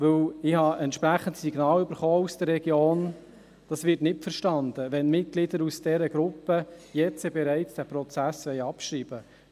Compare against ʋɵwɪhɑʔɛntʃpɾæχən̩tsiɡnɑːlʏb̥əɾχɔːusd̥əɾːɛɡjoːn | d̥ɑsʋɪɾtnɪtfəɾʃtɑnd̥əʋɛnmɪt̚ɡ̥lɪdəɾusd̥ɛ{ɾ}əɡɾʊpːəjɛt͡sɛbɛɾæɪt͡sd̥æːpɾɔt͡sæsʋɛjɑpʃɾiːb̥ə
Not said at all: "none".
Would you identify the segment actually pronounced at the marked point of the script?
ɾ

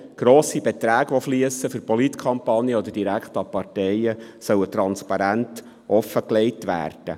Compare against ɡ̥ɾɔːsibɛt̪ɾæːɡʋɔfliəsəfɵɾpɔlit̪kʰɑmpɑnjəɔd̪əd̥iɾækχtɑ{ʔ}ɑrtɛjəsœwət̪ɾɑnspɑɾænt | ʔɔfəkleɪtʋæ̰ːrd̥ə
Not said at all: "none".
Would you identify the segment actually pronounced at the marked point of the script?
p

